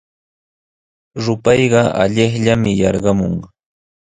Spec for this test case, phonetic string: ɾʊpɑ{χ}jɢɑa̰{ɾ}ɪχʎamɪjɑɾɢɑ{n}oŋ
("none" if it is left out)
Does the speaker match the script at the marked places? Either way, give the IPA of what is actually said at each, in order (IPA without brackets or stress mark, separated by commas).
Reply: none, ʎ, m